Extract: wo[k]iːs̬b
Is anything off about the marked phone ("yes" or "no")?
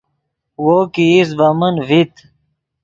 no